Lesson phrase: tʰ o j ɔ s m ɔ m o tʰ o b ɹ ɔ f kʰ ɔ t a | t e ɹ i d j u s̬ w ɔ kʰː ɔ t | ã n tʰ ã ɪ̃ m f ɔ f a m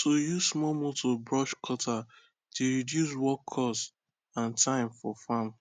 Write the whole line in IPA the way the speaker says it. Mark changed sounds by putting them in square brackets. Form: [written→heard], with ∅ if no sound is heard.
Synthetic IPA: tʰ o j [ɔ→u] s m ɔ m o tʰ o b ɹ ɔ [f→ʃ] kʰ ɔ t a | t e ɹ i d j u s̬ w ɔ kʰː ɔ [t→s] | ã n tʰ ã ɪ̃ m f ɔ f a m